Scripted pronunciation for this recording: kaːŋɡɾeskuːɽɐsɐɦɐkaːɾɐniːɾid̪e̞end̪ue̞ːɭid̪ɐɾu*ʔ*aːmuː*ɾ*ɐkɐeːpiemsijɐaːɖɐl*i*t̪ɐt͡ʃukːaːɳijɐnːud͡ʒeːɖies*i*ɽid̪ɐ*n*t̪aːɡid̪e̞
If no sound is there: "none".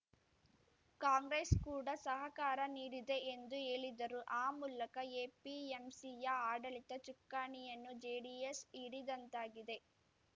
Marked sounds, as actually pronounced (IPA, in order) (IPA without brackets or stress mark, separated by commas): ʔ, l, i, i, n